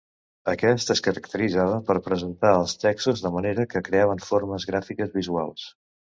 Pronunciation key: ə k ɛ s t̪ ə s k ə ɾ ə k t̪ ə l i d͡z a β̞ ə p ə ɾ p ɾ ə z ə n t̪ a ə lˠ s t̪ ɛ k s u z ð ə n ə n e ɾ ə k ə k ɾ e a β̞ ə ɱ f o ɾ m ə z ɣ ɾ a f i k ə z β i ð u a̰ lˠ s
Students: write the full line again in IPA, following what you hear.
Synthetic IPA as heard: ə k ɛ s t̪ ə s k ə ɾ ə k t̪ ə ɾ i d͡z a β̞ ə p ə ɾ p ɾ ə z ə n t̪ a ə lˠ s t̪ ɛ k s u z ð ə m ə n e ɾ ə k ə k ɾ e a β̞ ə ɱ f o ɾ m ə z ɣ ɾ a f i k ə z β i z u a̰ lˠ s